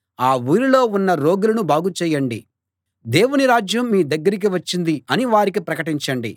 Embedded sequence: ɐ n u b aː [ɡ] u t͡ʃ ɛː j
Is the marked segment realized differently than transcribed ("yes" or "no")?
no